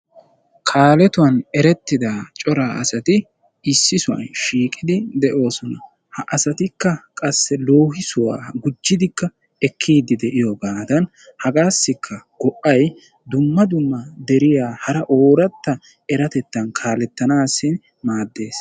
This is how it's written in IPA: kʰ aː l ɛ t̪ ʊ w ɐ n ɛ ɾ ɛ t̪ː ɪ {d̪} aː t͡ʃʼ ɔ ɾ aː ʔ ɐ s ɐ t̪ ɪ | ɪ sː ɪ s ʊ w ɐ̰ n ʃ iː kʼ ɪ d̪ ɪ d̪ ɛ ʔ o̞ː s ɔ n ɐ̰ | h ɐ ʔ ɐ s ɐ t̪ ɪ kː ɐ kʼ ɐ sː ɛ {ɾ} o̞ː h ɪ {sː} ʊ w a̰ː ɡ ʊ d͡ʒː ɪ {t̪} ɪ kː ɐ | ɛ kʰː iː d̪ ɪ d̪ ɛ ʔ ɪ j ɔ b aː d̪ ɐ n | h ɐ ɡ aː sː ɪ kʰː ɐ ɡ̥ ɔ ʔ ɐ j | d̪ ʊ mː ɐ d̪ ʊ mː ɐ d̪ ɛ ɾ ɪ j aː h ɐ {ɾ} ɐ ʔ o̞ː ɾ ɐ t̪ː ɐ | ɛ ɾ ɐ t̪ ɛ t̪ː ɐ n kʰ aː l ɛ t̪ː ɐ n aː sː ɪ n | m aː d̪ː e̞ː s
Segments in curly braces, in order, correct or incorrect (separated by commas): correct, incorrect, incorrect, incorrect, correct